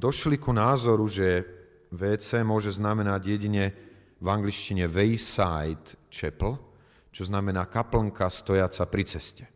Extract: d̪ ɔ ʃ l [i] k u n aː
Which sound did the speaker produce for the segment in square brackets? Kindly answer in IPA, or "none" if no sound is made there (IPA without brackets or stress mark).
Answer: i